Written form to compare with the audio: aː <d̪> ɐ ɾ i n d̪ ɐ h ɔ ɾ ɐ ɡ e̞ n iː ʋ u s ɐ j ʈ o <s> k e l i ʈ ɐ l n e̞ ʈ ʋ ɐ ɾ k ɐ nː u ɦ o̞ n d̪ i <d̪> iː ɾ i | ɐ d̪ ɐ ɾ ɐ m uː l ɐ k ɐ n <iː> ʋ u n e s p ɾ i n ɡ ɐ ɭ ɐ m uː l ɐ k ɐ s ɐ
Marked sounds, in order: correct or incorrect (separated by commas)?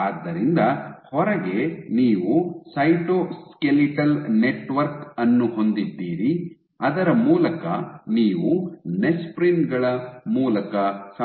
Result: incorrect, correct, incorrect, correct